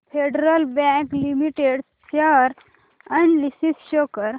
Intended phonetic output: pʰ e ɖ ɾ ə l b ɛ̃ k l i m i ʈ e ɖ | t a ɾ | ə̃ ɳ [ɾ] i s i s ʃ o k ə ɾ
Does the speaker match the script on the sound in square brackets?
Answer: no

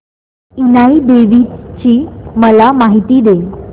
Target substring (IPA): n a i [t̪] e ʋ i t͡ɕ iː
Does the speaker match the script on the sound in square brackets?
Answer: no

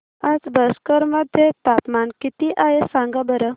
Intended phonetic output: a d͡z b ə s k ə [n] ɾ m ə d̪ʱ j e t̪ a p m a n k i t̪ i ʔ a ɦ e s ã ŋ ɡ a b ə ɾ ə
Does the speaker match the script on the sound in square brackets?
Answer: no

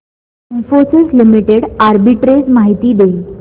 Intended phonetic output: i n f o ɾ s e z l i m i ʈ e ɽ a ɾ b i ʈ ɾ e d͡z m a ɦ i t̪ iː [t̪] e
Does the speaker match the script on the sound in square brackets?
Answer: no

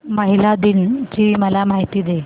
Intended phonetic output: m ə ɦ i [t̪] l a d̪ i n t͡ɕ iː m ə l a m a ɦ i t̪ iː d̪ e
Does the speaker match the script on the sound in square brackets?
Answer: no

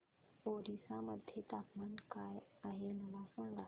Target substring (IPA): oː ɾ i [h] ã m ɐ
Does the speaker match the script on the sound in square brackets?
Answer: no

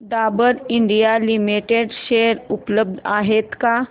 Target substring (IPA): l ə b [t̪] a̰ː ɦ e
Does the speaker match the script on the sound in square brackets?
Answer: no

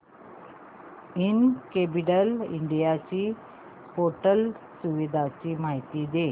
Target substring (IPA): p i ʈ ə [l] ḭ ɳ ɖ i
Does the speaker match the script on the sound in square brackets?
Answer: yes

